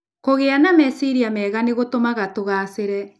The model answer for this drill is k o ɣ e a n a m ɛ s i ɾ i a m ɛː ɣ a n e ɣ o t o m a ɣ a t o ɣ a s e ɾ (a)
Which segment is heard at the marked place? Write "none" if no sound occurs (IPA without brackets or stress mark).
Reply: ɛ